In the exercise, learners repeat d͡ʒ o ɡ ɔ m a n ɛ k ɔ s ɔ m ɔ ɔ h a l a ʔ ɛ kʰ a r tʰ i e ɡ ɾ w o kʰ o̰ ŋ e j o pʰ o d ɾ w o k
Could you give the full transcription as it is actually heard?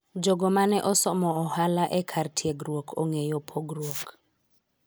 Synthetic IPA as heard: d͡ʒ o ɡ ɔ m a n ɛ ʔ ɔ s ɔ m ɔ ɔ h a l a ʔ ɛ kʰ a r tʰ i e ɡ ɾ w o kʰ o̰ ŋ e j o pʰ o ɡ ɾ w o k